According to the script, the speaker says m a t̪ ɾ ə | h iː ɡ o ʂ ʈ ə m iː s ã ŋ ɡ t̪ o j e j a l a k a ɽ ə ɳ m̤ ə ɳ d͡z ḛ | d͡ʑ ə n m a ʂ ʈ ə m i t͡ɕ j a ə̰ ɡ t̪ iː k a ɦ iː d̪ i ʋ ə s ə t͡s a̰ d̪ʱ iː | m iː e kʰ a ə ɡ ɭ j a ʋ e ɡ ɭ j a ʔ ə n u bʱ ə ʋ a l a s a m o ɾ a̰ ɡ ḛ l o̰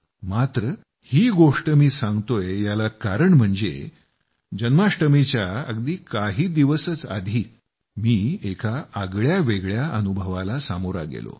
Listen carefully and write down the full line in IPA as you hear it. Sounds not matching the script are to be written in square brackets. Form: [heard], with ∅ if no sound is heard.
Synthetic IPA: m a t̪ ɾ ə | h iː ɡ o ʂ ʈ ə m iː s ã ŋ ɡ t̪ o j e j a l a k a [ɾ] ə ɳ m̤ ə ɳ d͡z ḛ | d͡ʑ ə n m a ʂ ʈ ə m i t͡ɕ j a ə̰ ɡ [d̪] iː k a ɦ iː d̪ i ʋ ə s ə t͡s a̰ d̪ʱ iː | m iː e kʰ a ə ɡ ɭ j a ʋ e ɡ ɭ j a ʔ ə n u bʱ ə ʋ a l a s a m o ɾ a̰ ɡ ḛ l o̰